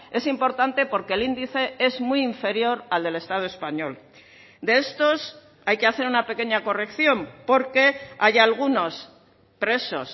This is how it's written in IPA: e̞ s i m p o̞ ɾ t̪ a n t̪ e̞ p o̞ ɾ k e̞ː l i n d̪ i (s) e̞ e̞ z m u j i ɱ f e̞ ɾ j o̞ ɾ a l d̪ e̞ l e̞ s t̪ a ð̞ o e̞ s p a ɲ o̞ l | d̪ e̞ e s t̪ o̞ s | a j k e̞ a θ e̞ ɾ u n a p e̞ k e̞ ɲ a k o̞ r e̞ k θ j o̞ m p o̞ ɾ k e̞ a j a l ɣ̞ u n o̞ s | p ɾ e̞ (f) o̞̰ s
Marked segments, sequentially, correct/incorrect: incorrect, incorrect

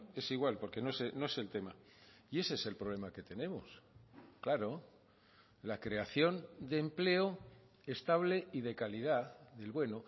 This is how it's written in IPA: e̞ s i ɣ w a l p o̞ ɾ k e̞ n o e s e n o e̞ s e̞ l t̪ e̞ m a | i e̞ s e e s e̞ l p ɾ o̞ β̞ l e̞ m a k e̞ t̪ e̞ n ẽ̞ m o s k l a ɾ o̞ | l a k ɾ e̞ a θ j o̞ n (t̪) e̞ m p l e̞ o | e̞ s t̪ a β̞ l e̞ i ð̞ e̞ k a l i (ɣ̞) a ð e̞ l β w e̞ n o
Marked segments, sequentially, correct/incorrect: incorrect, incorrect

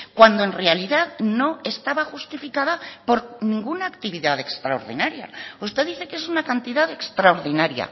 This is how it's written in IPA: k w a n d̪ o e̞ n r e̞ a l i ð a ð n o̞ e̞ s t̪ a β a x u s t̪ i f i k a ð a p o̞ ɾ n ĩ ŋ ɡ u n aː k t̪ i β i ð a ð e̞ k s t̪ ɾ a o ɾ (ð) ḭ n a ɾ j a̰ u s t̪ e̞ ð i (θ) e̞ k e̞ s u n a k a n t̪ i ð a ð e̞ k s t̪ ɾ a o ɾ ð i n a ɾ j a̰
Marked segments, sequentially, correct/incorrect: correct, correct

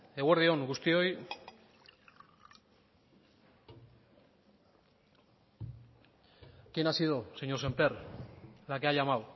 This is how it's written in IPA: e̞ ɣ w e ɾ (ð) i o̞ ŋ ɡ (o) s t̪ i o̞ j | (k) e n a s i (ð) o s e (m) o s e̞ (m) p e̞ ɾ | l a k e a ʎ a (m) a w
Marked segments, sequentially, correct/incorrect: correct, incorrect, correct, correct, incorrect, correct, correct

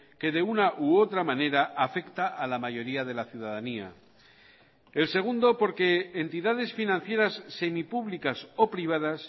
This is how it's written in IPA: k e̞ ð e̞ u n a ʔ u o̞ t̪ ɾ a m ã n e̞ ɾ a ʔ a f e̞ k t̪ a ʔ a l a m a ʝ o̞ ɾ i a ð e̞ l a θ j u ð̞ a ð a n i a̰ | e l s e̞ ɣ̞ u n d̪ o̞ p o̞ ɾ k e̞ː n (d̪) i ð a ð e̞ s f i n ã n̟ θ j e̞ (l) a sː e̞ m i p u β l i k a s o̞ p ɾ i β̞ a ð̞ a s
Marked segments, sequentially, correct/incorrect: incorrect, incorrect

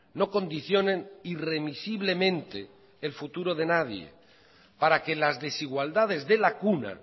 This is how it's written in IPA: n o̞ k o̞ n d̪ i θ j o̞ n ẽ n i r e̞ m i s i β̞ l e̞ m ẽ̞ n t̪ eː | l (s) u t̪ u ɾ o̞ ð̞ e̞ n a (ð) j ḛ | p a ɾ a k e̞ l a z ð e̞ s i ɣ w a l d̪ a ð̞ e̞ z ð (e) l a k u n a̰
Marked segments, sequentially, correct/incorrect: incorrect, correct, correct

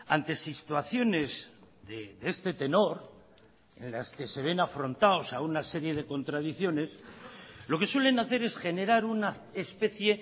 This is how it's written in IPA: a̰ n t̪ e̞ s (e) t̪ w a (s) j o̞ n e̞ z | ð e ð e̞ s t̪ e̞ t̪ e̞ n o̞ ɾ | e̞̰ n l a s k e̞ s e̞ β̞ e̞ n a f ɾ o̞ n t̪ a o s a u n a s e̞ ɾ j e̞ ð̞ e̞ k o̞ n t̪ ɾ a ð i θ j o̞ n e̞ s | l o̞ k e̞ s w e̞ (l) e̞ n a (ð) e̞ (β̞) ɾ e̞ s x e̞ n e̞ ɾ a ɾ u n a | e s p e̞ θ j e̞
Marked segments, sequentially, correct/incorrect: incorrect, incorrect, correct, incorrect, incorrect

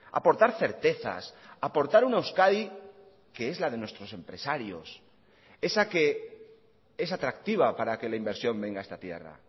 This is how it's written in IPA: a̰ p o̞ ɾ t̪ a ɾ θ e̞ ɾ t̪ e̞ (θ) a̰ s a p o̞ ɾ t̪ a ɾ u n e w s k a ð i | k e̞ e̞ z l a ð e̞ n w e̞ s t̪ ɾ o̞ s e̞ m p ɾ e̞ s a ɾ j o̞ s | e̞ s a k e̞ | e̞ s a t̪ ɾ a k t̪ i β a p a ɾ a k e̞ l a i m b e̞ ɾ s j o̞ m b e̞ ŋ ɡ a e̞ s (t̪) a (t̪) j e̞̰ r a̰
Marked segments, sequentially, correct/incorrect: correct, correct, correct

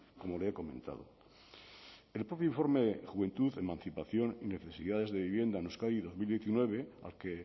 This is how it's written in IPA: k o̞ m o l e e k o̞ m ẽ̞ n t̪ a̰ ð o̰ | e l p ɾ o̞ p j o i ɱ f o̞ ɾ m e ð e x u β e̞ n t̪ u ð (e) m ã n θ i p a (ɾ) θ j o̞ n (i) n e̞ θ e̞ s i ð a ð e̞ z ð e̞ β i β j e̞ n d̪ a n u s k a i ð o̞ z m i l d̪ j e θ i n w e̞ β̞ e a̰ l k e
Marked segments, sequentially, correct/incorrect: correct, incorrect, correct

